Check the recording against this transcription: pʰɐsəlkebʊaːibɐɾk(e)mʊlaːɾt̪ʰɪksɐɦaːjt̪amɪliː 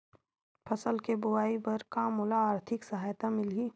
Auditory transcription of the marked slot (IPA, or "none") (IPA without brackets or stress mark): a